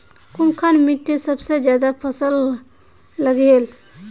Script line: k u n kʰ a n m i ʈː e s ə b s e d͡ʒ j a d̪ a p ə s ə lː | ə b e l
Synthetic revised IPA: k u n kʰ a n m i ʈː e s ə b s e d͡ʒ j a d̪ a pʰ ə s ə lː | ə ɡ e l